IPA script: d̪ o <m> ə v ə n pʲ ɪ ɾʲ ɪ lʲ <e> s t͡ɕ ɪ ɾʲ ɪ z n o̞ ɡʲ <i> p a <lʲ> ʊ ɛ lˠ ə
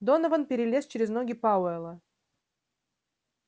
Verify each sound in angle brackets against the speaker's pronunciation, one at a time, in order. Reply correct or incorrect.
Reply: incorrect: n, correct, incorrect: ɪ, incorrect: none

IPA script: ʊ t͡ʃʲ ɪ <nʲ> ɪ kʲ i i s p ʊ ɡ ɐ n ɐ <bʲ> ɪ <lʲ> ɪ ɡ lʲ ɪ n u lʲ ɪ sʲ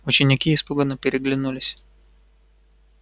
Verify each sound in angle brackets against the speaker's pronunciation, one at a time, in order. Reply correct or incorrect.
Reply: correct, incorrect: pʲ, incorrect: ɾʲ

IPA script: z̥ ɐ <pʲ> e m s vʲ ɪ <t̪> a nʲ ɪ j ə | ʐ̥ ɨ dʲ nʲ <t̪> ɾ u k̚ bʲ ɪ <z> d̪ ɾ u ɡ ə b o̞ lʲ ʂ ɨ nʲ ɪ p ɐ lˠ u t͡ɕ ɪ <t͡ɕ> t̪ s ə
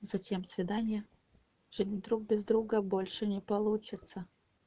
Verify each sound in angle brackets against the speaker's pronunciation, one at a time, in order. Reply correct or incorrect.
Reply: incorrect: tʲ, incorrect: d̪, incorrect: d̪, correct, incorrect: none

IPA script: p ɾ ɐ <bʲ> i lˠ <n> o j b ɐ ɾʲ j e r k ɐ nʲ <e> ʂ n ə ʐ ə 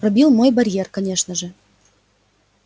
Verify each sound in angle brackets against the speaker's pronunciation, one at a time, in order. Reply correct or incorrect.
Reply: correct, incorrect: m, correct

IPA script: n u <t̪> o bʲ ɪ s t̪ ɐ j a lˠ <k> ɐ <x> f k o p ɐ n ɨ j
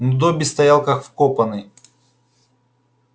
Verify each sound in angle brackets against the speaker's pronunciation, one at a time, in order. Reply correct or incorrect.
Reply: incorrect: d̪, correct, correct

